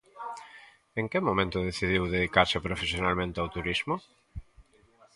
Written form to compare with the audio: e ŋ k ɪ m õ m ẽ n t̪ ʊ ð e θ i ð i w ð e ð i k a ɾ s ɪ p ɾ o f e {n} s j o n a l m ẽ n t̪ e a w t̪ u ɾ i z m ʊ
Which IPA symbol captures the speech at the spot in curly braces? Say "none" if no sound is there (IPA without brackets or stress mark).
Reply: none